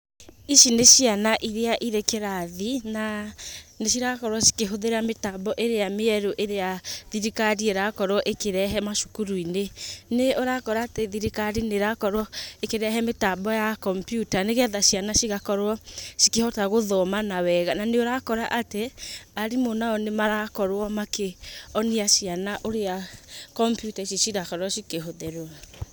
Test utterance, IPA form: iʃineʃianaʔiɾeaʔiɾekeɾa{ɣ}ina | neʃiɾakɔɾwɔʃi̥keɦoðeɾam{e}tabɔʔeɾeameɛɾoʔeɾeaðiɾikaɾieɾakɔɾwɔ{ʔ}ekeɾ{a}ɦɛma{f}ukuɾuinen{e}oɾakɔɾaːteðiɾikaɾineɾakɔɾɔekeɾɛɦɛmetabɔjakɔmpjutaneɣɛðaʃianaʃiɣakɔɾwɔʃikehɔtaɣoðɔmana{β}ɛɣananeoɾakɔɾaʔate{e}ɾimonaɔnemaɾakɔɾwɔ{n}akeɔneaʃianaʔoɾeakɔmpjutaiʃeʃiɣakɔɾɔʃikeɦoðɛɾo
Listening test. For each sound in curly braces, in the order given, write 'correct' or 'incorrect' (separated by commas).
incorrect, correct, correct, incorrect, incorrect, correct, incorrect, incorrect, incorrect